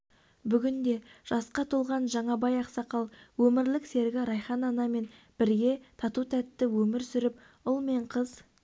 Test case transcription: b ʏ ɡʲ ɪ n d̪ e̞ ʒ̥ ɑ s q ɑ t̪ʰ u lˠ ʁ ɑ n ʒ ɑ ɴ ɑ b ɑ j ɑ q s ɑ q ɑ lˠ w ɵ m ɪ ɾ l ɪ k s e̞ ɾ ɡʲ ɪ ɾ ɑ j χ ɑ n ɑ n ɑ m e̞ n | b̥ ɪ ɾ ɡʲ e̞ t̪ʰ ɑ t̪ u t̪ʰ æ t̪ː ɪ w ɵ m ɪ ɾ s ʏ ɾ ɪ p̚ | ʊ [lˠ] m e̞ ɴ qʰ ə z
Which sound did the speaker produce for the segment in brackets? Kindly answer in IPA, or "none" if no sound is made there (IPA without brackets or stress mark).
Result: lˠ